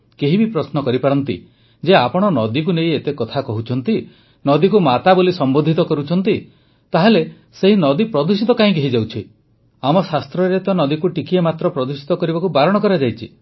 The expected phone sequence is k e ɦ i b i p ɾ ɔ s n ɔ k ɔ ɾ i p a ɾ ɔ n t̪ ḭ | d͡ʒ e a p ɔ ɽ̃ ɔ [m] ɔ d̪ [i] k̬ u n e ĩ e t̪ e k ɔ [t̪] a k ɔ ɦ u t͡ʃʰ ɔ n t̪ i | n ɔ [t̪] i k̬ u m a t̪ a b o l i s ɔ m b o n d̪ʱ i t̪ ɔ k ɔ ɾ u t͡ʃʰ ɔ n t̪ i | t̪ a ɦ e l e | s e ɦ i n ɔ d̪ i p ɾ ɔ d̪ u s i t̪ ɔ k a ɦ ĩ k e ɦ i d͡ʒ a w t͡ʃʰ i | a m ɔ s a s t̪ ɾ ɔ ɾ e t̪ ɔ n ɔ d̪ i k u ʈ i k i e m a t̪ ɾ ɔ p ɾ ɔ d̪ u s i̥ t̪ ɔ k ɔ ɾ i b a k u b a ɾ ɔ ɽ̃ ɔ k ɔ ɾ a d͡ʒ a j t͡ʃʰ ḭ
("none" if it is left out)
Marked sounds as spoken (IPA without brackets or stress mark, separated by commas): n, i, t̪ʰ, d̪